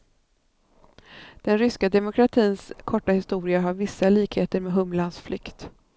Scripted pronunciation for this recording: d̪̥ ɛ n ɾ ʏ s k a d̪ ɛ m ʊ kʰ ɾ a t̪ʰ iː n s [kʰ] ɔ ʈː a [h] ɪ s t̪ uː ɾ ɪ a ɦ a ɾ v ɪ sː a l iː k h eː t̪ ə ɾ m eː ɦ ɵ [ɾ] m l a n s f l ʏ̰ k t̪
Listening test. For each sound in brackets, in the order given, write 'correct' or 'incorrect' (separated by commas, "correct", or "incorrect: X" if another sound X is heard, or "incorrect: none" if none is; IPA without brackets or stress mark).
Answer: correct, correct, incorrect: none